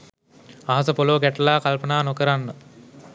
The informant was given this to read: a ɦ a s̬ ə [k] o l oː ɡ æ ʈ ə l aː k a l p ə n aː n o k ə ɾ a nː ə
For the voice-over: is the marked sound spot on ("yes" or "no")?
no